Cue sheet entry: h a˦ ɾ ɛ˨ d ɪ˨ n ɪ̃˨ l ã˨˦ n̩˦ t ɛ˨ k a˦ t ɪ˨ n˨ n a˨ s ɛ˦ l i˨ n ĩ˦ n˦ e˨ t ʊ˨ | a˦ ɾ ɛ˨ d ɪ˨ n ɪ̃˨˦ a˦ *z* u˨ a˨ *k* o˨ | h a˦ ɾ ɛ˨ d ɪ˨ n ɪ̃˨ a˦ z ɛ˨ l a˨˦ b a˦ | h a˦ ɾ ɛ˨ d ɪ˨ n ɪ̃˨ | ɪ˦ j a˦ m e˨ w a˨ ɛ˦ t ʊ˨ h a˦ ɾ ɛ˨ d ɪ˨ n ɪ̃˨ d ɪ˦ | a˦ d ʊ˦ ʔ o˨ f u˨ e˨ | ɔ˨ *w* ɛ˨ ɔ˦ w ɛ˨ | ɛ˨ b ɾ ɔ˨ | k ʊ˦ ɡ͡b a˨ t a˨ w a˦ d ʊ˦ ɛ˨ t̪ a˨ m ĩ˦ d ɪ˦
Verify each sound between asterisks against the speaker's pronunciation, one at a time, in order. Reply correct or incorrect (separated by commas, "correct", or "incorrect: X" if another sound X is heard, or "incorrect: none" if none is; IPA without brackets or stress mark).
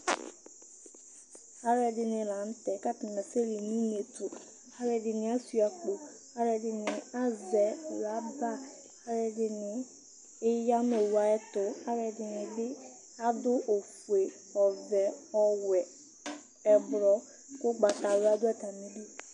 incorrect: s, incorrect: k͡p, incorrect: v